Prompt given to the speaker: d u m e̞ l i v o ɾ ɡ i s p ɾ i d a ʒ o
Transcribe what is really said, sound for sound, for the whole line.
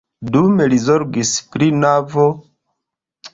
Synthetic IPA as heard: d u m e̞ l i z o ɾ ɡ i s p ɾ i n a v o